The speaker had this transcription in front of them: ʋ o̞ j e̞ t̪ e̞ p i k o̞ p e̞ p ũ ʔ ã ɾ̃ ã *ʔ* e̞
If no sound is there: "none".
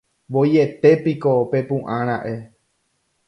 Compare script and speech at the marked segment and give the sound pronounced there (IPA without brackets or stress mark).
ʔ